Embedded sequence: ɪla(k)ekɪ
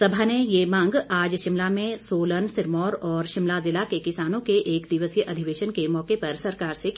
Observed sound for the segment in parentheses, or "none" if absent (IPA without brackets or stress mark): k